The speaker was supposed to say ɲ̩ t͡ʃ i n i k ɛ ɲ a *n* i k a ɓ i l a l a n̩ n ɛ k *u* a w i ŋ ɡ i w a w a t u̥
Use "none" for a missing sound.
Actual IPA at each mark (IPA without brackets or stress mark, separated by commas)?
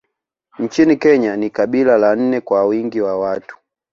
n, w